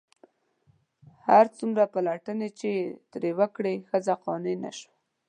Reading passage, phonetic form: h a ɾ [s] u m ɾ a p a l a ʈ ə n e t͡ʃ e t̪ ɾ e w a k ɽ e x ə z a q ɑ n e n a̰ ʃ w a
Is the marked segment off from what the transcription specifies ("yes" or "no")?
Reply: yes